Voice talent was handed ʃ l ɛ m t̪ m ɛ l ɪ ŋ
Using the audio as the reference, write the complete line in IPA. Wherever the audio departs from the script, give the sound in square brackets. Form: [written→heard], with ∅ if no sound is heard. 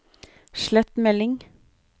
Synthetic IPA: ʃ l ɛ [m→∅] t̪ m ɛ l ɪ ŋ

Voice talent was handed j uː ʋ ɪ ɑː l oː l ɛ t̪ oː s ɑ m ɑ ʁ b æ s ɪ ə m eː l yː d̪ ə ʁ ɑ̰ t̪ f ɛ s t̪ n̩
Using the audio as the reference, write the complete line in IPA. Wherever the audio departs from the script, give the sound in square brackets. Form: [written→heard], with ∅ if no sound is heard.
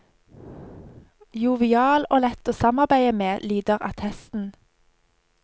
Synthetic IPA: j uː ʋ ɪ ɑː l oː l ɛ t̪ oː s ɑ m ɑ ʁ b æ [s→∅] ɪ ə m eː l yː d̪ ə ʁ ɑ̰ t̪ [f→h] ɛ s t̪ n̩

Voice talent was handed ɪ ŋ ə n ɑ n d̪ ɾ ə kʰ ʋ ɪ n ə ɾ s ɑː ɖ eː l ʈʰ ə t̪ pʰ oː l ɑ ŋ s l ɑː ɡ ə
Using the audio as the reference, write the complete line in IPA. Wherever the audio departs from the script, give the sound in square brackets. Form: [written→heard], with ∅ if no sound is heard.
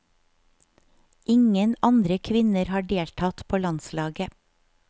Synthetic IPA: ɪ ŋ ə n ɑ n d̪ ɾ ə kʰ ʋ ɪ n ə ɾ [s→h] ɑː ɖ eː l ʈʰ [ə→ɑ] t̪ pʰ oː l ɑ [ŋ→n] s l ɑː ɡ ə

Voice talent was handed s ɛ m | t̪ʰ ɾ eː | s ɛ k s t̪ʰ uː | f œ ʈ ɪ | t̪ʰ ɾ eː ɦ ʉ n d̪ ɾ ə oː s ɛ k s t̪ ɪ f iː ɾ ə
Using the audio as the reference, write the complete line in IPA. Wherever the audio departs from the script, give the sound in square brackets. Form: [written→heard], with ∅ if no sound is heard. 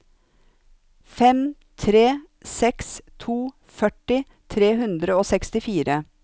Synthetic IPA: [s→f] ɛ m | t̪ʰ ɾ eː | s ɛ k s t̪ʰ uː | f œ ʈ ɪ | t̪ʰ ɾ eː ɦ ʉ n d̪ ɾ ə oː s ɛ k s t̪ ɪ f iː ɾ ə

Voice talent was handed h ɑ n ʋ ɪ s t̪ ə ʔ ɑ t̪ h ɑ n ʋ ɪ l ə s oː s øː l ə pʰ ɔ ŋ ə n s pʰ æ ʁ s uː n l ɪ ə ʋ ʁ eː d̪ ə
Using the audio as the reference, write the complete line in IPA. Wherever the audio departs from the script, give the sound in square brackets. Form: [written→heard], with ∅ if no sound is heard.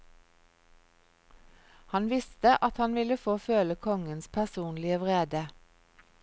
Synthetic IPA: h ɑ n ʋ ɪ s t̪ ə ʔ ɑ t̪ h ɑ n ʋ ɪ l ə [s→f] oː [s→f] øː l ə [pʰ→kʰ] ɔ ŋ ə n s pʰ æ ʁ s uː n l ɪ ə ʋ ʁ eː d̪ ə

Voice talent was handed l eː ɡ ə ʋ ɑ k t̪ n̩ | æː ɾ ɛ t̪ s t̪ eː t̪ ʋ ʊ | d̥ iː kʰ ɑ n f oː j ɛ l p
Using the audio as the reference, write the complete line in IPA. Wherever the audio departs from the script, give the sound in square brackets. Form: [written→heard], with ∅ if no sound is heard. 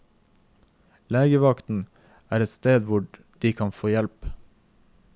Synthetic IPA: l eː ɡ ə ʋ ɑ k t̪ n̩ | æː ɾ ɛ t̪ s t̪ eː [t̪→d̪] ʋ ʊ | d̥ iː kʰ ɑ n f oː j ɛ l p

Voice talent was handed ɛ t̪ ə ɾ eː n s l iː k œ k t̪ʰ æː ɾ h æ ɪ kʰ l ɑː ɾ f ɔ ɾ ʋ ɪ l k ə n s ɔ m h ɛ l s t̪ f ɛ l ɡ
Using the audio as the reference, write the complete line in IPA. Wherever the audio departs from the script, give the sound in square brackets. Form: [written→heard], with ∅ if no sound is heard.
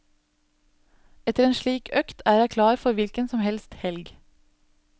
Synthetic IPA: ɛ t̪ ə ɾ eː n [s→ʃ] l iː k œ k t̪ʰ æː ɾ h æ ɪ kʰ l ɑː ɾ f ɔ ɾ ʋ ɪ l k ə n s ɔ m h ɛ l s t̪ [f→h] ɛ l ɡ

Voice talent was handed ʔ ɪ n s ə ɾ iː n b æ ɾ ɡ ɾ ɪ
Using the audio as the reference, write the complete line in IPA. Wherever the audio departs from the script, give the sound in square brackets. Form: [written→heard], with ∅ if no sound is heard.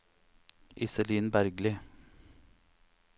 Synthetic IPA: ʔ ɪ [n→∅] s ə [ɾ→l] iː n b æ ɾ ɡ [ɾ→l] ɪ

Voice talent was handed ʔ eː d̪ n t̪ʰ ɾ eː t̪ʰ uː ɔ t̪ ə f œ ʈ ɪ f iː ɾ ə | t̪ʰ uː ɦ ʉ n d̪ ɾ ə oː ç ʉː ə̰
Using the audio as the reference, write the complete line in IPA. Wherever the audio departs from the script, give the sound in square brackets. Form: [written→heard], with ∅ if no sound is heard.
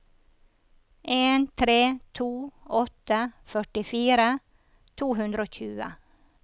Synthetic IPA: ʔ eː [d̪→∅] n t̪ʰ ɾ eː t̪ʰ uː ɔ t̪ ə f œ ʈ ɪ f iː ɾ ə | t̪ʰ uː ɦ ʉ n d̪ ɾ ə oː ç ʉː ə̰

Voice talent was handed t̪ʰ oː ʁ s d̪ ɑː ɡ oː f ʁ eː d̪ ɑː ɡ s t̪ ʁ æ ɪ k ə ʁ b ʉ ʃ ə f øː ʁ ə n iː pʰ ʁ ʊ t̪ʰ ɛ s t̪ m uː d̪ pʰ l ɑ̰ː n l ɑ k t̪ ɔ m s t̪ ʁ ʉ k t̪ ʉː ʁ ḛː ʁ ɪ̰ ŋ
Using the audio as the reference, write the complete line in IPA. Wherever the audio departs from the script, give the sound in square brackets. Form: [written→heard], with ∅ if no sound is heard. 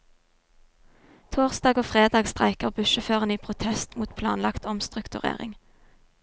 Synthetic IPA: t̪ʰ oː ʁ s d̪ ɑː ɡ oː f ʁ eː d̪ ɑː ɡ s t̪ ʁ æ ɪ k ə ʁ b ʉ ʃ ə f øː ʁ ə n iː pʰ ʁ ʊ t̪ʰ ɛ s t̪ m uː [d̪→t̪] pʰ l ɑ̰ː n l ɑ k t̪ ɔ m s t̪ ʁ ʉ k t̪ [ʉː→ʉ] ʁ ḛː ʁ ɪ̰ ŋ

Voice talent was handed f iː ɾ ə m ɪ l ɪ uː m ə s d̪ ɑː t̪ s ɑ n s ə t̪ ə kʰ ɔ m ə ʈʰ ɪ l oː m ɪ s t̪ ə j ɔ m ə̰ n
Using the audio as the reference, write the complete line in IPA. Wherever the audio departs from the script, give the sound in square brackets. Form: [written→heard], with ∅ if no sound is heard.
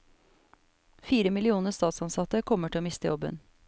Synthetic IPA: f iː ɾ ə m ɪ l ɪ uː [m→n] ə s [d̪→t̪] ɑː t̪ s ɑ n s [ə→ɑ] t̪ ə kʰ ɔ m ə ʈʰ ɪ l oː m ɪ s t̪ ə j ɔ [m→b] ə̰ n

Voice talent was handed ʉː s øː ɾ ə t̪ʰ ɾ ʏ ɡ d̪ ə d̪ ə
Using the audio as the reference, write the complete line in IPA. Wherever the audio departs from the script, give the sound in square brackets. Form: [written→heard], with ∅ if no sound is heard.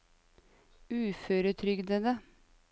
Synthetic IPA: ʉː [s→f] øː ɾ ə t̪ʰ ɾ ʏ ɡ d̪ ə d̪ ə

